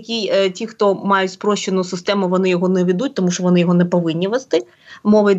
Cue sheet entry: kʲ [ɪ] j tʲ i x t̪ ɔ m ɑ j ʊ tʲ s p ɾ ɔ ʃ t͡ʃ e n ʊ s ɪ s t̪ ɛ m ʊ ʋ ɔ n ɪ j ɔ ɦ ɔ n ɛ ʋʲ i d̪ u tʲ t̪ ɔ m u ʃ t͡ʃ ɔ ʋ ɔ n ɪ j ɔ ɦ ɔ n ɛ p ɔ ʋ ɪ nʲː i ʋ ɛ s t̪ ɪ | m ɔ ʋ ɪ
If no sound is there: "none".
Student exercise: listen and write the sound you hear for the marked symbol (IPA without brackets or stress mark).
i